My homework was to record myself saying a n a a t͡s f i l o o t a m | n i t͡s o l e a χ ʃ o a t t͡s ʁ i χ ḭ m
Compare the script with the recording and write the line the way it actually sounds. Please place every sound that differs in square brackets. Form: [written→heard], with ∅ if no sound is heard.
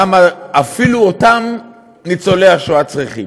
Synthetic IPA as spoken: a [n→m] a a [t͡s→∅] f i l [o→u] o t a m | n i t͡s o l e a χ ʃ o a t t͡s ʁ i χ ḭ m